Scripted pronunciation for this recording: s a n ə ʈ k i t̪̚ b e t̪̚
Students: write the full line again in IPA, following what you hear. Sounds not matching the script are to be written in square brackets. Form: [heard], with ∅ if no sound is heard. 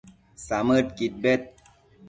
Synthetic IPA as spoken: s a [m] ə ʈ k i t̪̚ b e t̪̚

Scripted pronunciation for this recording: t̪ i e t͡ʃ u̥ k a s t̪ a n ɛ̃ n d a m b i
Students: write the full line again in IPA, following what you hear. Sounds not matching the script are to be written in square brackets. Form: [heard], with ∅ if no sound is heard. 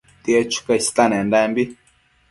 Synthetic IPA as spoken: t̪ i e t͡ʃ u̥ k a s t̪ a n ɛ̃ n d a m b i

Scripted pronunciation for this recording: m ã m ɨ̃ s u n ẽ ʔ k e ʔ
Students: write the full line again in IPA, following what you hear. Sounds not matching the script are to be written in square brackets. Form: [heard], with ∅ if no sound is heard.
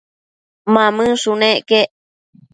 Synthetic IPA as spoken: m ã m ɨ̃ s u n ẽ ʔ k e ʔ

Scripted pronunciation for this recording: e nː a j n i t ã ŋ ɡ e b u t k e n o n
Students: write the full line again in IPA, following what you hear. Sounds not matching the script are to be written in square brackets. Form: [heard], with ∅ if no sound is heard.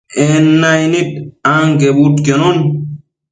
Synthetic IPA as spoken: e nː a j n i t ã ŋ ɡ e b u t k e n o n

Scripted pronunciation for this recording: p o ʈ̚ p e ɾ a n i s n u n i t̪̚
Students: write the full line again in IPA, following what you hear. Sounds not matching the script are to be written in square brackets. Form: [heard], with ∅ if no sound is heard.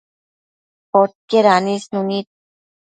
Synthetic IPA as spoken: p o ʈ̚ [k] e ɾ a n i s n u n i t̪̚

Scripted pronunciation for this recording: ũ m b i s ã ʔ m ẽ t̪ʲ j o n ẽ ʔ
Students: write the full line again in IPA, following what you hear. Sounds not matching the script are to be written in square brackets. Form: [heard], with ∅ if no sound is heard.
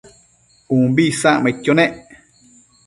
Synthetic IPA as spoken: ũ m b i s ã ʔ m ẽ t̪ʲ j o n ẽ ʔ

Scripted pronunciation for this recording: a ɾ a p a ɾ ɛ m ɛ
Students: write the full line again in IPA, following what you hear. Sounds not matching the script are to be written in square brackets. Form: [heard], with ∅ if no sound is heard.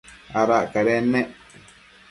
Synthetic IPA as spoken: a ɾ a [k] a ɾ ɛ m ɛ

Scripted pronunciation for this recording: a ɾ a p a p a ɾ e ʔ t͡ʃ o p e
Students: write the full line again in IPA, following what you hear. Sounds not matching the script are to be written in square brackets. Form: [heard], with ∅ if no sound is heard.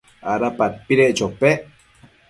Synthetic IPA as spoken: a ɾ a p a p [i] ɾ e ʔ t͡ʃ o p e

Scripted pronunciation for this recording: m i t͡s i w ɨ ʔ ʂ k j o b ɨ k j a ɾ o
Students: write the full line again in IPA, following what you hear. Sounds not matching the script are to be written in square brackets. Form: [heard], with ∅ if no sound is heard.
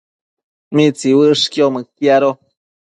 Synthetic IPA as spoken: m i t͡s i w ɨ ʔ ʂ k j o [m] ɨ k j a ɾ o

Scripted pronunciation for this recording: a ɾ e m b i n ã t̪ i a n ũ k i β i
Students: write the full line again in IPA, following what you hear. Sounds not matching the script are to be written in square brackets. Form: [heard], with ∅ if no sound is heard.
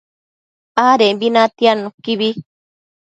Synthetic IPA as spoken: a ɾ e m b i n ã t̪ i a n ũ k i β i

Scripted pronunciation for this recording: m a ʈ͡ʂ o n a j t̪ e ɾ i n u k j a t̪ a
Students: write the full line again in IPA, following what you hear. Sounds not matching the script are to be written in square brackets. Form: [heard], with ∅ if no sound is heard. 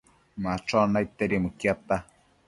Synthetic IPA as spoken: m a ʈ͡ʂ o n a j t̪ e ɾ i [m] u k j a t̪ a

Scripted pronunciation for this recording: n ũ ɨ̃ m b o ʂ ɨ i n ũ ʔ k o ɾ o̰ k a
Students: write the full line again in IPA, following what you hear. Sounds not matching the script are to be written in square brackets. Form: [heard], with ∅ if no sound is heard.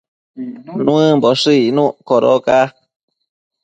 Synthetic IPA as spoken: n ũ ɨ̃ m b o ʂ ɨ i n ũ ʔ k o ɾ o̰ k a

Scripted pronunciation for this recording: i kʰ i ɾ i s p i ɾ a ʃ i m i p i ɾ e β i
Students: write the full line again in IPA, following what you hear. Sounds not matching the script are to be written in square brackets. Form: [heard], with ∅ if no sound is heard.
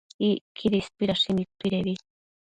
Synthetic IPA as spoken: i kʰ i ɾ i s p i ɾ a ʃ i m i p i ɾ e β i

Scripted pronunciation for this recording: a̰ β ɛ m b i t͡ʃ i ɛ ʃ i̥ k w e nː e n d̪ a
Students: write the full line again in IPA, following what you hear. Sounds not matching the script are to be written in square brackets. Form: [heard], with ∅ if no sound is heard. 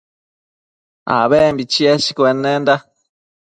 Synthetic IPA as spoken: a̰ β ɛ m b i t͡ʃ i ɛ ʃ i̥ k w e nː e n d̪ a

